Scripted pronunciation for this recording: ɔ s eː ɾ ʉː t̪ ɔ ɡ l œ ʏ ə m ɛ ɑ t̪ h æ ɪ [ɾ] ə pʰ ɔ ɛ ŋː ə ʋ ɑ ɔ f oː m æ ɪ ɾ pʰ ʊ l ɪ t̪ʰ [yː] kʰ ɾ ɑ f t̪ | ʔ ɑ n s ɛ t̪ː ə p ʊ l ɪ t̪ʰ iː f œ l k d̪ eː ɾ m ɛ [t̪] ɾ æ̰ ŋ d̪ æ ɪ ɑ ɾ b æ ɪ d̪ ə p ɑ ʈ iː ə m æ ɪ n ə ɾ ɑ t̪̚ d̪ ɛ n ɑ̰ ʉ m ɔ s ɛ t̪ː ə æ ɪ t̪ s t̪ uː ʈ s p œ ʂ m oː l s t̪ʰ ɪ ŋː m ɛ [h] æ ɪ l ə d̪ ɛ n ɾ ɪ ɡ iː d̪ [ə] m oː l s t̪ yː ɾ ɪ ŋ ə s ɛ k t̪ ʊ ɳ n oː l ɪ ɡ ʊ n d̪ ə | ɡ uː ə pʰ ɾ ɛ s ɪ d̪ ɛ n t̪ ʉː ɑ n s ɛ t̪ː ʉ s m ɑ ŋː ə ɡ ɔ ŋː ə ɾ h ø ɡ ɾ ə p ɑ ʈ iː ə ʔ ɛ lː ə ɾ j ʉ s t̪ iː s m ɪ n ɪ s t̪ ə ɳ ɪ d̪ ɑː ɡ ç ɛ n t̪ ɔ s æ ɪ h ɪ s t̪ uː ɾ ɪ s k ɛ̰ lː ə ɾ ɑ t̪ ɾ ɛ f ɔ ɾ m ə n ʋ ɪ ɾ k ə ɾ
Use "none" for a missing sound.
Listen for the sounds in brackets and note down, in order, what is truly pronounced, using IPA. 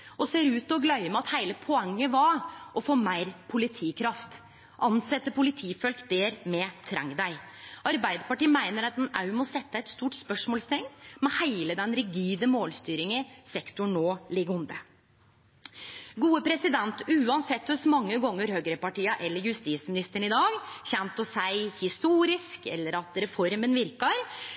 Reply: l, iː, t̪ʰ, h, ə

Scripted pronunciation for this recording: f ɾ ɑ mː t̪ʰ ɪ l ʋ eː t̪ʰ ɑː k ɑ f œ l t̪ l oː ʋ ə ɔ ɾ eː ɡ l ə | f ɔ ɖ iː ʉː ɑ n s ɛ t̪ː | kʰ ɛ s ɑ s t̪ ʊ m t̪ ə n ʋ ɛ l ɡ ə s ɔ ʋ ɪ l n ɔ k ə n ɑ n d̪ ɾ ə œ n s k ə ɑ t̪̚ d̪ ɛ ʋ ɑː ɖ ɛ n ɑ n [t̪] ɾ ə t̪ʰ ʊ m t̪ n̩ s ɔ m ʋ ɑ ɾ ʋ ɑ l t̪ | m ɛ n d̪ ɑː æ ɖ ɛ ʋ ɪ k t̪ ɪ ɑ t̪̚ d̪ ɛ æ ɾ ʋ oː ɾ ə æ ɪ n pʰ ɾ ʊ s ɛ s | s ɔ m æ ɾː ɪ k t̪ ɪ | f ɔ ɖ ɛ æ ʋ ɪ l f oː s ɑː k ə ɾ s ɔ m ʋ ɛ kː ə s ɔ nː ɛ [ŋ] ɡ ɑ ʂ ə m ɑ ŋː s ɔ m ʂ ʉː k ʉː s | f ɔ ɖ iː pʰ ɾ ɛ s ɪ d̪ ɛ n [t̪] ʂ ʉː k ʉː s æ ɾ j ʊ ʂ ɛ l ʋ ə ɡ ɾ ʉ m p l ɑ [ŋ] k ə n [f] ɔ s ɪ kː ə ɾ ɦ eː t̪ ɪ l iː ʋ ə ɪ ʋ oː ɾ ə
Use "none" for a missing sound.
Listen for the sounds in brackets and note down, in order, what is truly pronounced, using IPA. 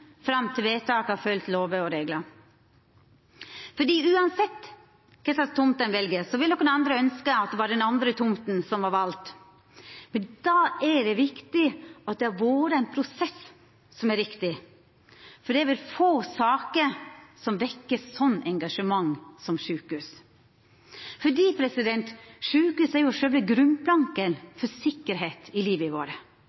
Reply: d̪, ŋ, t̪, ŋ, f

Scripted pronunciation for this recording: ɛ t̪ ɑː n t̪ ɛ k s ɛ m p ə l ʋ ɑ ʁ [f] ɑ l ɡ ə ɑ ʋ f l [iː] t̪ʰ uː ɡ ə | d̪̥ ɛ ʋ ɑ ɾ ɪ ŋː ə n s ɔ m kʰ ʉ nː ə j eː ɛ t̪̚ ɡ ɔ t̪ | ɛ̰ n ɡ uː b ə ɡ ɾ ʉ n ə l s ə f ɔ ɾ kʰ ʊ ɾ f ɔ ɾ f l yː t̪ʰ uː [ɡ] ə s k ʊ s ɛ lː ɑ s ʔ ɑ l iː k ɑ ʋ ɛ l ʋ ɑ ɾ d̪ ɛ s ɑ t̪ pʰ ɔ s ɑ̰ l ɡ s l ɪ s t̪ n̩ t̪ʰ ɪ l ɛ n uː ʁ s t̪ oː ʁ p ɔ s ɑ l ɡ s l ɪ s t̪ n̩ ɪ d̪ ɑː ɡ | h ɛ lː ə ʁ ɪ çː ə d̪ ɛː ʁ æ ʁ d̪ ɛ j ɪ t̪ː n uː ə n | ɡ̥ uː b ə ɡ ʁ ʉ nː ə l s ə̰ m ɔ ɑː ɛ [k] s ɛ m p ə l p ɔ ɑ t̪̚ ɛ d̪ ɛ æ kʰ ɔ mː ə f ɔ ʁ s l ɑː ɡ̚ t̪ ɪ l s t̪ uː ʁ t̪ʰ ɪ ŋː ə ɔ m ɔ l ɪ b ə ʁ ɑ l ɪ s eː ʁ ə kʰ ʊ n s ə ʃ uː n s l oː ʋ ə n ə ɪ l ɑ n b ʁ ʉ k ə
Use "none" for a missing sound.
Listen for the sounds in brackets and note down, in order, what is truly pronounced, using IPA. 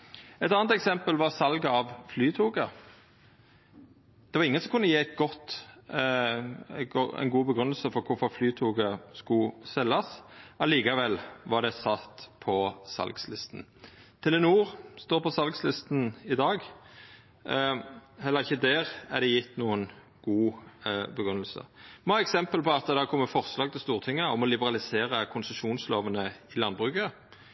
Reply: s, yː, ɡ, k

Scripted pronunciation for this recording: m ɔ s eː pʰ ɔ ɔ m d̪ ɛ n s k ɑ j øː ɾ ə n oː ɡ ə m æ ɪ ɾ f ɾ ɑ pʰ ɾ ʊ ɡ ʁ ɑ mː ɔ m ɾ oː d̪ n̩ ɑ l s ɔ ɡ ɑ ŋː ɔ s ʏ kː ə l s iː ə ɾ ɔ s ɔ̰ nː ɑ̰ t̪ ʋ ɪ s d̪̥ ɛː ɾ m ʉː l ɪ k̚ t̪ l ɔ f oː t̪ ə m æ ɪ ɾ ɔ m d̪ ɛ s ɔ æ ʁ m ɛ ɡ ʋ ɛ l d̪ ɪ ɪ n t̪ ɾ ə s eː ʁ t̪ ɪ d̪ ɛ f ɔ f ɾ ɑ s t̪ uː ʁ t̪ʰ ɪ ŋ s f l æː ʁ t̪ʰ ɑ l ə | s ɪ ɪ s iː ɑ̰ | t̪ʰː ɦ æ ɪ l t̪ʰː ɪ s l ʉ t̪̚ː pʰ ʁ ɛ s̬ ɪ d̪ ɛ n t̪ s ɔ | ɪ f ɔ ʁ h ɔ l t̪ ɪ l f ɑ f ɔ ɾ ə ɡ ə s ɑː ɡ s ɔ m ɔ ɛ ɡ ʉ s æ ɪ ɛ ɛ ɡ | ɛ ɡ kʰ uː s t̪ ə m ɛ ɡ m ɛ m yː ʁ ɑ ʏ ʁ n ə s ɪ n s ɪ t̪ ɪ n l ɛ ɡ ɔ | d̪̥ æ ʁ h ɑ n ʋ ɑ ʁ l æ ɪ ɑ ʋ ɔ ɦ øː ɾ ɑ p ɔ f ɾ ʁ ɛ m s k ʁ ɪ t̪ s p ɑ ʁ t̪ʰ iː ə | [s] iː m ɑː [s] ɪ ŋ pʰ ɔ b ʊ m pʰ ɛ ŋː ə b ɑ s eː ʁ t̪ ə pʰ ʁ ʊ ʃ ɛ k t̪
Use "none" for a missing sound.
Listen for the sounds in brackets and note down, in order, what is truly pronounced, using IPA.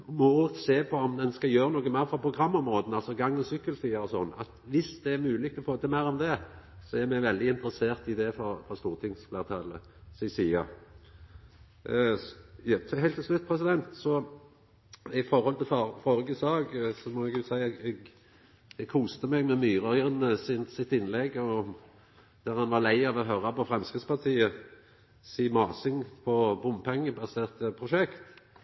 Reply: s, s

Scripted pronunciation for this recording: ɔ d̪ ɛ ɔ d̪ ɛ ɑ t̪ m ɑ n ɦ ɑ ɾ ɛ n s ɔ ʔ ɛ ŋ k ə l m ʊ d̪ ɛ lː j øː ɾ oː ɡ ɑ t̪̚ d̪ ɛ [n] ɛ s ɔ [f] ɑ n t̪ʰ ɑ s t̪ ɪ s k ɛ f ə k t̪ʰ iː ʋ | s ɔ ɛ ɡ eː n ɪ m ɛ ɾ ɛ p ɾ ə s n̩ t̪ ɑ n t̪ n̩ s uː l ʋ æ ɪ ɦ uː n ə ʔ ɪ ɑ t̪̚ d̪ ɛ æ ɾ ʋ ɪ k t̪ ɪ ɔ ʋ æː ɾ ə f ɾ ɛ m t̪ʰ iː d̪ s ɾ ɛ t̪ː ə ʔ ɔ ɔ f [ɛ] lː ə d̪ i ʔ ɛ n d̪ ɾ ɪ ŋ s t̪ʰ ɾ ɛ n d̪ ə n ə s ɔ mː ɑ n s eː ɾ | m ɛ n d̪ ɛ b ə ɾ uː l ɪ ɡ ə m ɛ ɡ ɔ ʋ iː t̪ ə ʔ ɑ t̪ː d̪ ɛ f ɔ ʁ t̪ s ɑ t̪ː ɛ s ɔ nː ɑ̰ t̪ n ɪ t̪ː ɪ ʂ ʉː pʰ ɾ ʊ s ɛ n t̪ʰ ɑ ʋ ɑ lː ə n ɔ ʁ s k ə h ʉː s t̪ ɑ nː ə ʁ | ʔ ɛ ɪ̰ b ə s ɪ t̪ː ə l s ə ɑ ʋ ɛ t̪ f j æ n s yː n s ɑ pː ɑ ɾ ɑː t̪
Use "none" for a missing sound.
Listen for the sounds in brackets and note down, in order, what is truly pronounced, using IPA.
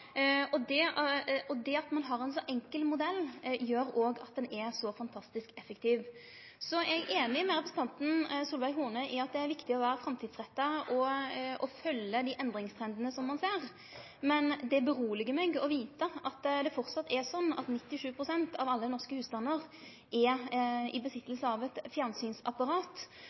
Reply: n, f, œ

